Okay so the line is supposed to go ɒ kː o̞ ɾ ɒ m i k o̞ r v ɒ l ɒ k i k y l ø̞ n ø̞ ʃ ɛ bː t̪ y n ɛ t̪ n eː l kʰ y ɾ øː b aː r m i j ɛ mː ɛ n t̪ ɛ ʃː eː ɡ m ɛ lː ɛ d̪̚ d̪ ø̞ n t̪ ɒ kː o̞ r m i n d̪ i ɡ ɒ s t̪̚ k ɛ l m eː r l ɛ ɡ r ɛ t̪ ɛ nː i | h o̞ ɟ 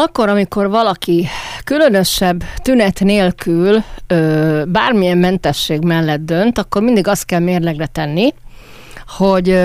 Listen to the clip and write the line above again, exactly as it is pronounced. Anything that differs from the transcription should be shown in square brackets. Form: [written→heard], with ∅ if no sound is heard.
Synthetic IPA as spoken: ɒ kː o̞ ɾ ɒ m i k o̞ r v ɒ l ɒ k i k y l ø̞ n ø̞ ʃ ɛ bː t̪ y n ɛ t̪ n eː l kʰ y [ɾ→l] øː b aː r m i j ɛ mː ɛ n t̪ ɛ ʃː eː ɡ m ɛ lː ɛ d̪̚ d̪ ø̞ n t̪ ɒ kː o̞ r m i n d̪ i ɡ ɒ s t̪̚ k ɛ l m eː r l ɛ ɡ r ɛ t̪ ɛ nː i | h o̞ ɟ